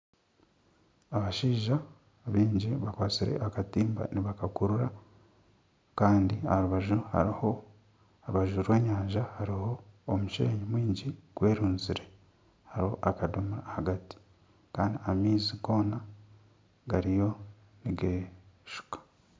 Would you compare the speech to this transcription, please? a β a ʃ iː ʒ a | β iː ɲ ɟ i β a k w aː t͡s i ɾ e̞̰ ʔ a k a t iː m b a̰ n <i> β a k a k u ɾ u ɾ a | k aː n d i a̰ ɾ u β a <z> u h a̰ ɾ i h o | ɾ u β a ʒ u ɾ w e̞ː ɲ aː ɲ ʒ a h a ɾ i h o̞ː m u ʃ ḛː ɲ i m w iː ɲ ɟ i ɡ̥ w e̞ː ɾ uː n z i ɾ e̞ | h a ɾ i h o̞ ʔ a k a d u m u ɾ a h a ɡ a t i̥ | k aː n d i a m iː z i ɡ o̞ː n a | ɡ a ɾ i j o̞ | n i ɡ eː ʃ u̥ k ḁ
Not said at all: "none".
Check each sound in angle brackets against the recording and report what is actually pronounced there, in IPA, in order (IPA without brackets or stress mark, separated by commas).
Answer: i, ʒ